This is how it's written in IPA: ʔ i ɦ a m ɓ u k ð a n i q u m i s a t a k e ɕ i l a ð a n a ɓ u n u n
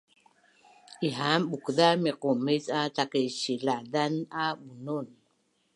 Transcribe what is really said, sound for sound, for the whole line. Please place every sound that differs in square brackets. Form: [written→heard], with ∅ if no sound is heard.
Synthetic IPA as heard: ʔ i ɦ a m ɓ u k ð a [n→m] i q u m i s a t a k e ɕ i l a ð a n a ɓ u n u n